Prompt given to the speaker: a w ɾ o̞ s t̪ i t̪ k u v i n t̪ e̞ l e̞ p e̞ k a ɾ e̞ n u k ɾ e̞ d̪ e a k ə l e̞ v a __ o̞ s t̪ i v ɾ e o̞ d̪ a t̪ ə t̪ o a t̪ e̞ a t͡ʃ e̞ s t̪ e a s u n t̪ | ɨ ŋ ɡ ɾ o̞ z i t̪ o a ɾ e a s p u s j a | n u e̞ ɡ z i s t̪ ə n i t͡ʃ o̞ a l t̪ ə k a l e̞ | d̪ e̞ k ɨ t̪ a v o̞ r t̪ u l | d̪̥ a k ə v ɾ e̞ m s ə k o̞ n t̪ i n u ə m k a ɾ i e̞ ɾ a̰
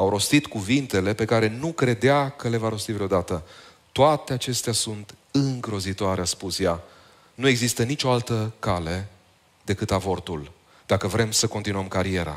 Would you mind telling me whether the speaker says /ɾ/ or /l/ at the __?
ɾ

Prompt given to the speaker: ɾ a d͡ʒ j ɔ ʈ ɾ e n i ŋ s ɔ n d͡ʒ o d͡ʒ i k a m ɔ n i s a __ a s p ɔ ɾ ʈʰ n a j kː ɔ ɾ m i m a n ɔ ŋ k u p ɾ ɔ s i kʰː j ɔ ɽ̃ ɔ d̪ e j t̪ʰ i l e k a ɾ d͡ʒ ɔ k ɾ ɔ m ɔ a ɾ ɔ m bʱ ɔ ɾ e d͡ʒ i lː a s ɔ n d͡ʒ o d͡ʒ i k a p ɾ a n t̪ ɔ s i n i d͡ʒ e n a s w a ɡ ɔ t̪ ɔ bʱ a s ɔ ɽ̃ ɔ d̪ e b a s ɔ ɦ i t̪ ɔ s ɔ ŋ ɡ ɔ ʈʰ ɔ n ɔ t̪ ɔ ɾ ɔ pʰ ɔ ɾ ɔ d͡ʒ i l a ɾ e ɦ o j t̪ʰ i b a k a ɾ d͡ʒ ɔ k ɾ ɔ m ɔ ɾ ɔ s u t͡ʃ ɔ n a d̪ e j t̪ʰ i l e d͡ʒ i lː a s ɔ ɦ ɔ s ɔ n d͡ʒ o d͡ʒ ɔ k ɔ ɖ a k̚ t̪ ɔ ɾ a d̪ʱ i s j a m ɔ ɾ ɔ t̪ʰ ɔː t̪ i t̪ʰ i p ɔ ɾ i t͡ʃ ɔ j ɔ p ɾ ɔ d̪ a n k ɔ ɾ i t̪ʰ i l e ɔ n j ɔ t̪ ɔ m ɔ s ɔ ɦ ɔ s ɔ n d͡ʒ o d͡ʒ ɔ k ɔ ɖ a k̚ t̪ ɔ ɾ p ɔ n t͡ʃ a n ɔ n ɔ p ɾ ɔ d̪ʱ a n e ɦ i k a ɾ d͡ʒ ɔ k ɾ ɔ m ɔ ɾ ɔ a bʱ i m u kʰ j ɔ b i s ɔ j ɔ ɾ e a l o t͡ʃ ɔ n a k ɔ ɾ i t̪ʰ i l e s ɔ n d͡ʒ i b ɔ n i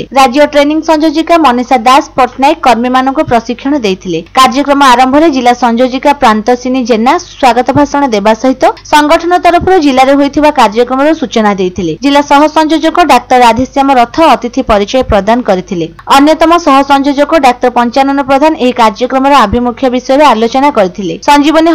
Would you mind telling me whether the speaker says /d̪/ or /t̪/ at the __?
d̪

